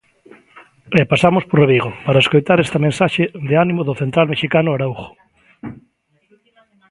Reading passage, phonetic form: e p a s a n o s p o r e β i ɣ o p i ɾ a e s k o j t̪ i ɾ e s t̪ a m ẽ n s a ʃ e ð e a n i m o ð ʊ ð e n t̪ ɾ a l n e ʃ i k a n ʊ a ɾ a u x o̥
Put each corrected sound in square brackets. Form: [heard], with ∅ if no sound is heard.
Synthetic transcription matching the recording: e p a s a [m] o s p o r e β i ɣ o p [a] ɾ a e s k o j t̪ [a] ɾ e s t̪ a m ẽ n s a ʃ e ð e a n i m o ð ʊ [θ] e n t̪ ɾ a l [m] e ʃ i k a n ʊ a ɾ a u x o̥